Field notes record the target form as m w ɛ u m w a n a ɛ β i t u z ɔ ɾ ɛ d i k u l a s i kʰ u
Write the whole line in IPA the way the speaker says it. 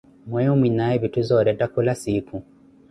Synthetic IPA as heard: m w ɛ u m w i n a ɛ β i t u z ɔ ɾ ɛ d a k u l a s i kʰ u